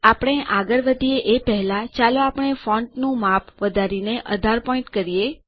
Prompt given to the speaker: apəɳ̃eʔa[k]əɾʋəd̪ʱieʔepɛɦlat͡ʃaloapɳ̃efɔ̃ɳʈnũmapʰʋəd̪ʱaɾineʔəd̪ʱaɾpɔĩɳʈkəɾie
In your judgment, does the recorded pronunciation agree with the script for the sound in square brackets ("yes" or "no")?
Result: no